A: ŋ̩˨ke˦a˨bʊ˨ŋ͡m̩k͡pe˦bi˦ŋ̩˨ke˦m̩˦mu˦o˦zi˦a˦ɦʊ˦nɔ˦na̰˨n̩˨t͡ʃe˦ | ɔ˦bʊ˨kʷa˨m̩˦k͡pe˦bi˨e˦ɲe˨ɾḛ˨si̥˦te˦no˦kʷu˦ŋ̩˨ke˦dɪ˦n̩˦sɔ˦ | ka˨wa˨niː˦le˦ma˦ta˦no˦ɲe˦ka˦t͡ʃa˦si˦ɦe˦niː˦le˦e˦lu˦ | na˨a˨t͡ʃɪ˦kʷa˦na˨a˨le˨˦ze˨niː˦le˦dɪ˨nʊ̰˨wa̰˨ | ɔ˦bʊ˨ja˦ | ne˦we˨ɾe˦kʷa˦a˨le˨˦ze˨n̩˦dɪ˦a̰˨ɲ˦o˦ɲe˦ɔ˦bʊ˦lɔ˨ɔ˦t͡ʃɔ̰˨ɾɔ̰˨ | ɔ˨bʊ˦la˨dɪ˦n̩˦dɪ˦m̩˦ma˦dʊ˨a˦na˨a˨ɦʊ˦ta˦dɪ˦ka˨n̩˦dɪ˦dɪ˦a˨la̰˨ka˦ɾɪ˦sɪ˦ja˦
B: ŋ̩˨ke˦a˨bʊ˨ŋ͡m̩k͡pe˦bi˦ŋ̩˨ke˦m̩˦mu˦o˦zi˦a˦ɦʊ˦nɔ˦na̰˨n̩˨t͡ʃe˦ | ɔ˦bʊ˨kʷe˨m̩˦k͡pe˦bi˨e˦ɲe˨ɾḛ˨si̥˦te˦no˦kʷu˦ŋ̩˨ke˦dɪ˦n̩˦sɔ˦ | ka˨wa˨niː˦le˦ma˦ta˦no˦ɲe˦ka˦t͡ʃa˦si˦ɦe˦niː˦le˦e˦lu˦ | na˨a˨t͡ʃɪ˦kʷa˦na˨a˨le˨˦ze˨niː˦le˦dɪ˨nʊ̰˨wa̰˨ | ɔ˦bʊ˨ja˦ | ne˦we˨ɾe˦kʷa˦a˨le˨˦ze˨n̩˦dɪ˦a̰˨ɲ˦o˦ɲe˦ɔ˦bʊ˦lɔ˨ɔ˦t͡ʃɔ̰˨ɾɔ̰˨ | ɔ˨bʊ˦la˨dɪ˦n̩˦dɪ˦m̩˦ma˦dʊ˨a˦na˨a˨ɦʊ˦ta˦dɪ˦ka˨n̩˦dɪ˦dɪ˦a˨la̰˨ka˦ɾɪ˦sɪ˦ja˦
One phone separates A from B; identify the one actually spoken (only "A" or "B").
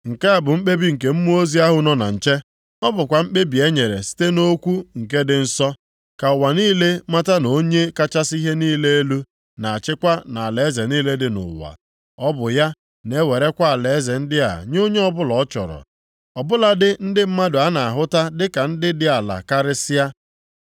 A